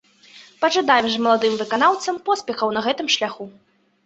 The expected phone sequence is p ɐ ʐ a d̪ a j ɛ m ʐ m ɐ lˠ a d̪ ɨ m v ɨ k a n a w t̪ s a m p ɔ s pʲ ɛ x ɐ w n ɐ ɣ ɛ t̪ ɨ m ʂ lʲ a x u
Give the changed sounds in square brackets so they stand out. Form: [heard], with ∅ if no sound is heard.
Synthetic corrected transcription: p ɐ ʐ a d̪ a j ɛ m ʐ m ɐ lˠ a d̪ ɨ m v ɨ k a n a w t̪ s [ɐ] m p ɔ s pʲ ɛ x ɐ w n ɐ ɣ ɛ t̪ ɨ m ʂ lʲ a x u